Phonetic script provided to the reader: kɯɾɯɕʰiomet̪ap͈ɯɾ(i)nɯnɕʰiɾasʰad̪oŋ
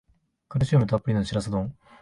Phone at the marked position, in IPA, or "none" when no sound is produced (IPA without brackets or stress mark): i